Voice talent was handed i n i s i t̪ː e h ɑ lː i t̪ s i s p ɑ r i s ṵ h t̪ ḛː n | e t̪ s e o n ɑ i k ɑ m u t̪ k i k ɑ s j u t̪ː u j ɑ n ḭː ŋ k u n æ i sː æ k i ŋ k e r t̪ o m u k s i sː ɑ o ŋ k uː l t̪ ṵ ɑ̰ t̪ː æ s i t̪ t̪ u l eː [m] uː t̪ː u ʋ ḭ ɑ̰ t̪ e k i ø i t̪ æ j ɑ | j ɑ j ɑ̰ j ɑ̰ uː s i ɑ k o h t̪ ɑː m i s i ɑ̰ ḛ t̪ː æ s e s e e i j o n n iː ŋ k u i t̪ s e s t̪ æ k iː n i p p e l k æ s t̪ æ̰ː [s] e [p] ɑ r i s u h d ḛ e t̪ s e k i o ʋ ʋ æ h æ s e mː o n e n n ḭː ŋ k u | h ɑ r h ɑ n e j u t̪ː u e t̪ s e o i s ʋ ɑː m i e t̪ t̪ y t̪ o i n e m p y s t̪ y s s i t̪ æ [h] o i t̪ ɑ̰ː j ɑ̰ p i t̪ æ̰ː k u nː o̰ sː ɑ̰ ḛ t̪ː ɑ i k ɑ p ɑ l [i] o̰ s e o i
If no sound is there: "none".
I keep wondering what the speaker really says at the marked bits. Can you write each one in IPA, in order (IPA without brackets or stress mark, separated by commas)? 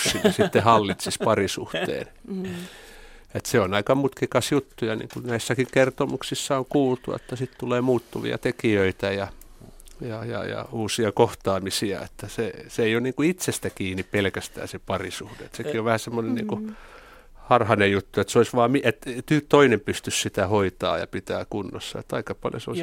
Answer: m, s, p, h, j